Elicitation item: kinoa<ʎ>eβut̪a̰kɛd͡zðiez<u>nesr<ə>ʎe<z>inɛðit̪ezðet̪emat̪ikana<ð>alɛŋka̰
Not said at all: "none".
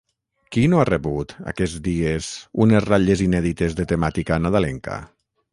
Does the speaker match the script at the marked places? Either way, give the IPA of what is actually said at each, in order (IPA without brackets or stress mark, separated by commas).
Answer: r, u, a, z, ð